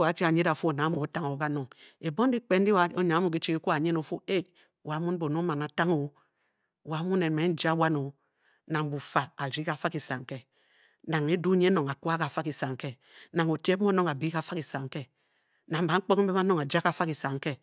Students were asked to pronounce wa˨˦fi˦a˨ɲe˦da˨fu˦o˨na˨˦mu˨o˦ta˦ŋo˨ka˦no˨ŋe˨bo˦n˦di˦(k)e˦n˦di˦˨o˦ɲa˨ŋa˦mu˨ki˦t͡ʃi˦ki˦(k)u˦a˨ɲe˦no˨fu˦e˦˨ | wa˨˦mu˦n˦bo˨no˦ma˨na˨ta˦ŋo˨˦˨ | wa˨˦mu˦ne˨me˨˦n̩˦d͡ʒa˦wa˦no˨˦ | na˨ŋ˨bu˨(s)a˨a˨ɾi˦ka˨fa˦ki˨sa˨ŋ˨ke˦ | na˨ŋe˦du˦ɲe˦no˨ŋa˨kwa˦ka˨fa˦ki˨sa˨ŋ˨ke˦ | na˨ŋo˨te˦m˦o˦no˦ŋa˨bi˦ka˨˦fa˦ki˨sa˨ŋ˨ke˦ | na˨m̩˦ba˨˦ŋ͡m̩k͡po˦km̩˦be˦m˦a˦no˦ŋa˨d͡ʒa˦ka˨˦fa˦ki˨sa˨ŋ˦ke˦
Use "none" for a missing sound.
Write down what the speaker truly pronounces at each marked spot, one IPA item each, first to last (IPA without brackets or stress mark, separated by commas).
k͡p, k, f